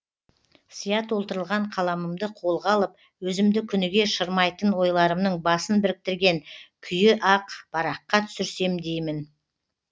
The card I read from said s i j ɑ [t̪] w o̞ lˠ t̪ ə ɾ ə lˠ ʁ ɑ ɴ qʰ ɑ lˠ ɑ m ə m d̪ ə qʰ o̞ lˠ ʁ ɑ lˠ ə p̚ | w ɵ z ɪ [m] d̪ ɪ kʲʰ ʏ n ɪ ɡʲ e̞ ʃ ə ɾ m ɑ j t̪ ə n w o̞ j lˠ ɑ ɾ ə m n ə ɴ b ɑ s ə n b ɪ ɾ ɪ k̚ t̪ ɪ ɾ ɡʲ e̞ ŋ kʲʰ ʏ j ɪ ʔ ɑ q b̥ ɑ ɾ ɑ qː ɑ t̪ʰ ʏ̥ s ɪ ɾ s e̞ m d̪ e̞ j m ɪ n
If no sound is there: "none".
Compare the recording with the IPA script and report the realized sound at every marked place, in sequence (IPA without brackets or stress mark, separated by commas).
t̪, m